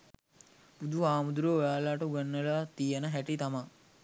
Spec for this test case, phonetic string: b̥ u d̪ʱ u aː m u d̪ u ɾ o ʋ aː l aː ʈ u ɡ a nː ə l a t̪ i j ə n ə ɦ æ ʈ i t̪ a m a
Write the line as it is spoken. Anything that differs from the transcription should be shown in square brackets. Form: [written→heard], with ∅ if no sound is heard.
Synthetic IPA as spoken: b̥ u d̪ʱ u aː m u d̪ u ɾ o ʋ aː l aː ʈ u ɡ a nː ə l a t̪ i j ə n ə ɦ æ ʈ i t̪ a m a